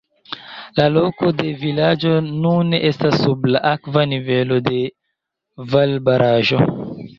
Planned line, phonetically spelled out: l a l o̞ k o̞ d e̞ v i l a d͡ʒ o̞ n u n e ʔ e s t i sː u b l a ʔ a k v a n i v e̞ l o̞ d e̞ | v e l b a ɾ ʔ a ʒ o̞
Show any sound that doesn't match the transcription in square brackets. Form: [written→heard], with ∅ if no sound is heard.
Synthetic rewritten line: l a l o̞ k o̞ d e̞ v i l a d͡ʒ o̞ n u n e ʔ e s t [i→a] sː u b l a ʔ a k v a n i v e̞ l o̞ d e̞ | v [e→a] l b a ɾ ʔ a ʒ o̞